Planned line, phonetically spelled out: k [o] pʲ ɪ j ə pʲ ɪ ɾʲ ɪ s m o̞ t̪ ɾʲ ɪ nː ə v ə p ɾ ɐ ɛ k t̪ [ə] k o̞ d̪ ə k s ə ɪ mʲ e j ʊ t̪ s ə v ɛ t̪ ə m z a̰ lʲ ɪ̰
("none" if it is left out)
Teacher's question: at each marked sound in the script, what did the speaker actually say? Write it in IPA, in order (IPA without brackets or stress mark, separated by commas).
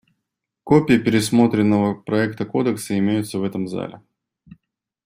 o, ə